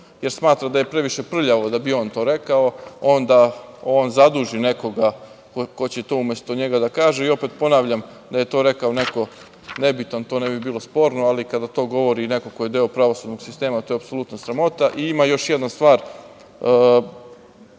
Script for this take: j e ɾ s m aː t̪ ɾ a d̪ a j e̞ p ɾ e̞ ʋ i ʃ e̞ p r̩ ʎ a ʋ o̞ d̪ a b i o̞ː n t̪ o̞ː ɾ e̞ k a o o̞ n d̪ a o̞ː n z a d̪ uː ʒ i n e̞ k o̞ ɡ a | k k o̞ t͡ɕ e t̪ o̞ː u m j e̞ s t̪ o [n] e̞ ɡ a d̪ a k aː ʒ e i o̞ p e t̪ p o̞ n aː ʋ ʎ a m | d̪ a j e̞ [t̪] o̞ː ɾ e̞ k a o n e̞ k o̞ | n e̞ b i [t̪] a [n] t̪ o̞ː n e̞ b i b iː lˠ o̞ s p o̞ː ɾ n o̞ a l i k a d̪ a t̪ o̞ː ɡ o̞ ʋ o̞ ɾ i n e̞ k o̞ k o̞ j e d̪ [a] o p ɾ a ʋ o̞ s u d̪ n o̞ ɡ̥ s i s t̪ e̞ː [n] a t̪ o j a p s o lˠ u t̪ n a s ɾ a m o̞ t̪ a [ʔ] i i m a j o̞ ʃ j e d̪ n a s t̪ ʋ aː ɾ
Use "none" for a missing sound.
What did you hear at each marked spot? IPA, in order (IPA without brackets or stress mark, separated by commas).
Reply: ɲ, t̪, t̪, n, e, m, ʔ